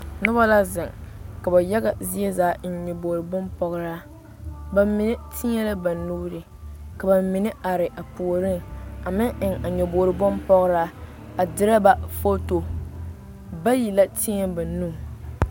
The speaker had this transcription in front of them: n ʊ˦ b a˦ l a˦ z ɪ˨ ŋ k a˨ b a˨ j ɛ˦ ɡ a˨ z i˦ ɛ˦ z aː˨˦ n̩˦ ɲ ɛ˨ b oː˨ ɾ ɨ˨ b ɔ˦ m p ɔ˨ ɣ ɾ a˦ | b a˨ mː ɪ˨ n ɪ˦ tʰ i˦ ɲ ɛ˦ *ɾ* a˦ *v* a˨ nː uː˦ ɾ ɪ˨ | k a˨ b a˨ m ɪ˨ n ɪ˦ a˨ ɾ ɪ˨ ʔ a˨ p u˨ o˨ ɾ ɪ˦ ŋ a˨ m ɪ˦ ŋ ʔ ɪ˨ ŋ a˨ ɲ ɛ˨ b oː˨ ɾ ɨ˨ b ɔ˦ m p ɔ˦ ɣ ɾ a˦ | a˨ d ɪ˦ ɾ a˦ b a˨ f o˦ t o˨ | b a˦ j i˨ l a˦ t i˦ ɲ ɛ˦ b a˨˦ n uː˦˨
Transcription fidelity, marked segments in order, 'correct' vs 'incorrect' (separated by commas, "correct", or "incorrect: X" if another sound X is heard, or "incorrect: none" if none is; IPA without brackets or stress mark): incorrect: l, incorrect: b